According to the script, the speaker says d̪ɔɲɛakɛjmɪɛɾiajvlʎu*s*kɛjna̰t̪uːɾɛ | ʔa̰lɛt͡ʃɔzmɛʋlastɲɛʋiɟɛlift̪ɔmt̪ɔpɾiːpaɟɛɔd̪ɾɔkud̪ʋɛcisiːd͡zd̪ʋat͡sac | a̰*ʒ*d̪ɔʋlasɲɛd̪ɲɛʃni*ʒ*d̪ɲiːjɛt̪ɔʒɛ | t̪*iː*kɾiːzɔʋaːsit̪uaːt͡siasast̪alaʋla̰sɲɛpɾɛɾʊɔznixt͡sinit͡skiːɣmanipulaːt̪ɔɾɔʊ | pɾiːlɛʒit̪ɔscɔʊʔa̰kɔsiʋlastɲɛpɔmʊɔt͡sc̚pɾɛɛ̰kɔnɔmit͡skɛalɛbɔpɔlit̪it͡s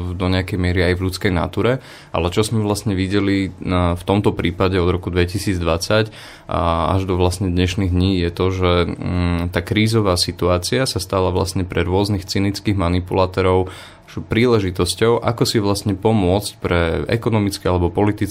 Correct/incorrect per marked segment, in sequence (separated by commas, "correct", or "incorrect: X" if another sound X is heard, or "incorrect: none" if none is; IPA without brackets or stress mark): incorrect: t͡s, correct, incorrect: ɣ, incorrect: aː